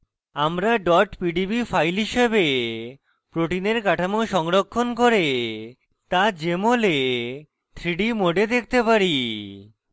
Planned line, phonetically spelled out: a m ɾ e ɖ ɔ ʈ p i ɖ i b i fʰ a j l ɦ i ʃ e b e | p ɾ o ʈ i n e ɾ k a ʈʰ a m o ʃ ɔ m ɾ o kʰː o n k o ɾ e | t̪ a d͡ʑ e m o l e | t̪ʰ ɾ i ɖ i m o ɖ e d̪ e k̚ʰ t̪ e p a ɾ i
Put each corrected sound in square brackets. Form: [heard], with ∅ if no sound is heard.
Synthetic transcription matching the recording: a m ɾ [a] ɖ ɔ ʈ p i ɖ i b i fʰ a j l ɦ i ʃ e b e | p ɾ o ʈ i n e ɾ k a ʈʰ a m o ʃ ɔ [ŋ] ɾ o kʰː o n k o ɾ e | t̪ a d͡ʑ e m o l e | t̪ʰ ɾ i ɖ i m o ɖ e d̪ e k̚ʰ t̪ e p a ɾ i